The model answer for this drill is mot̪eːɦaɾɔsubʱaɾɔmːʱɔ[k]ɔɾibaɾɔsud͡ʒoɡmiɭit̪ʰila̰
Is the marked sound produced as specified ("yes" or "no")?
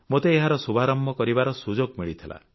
yes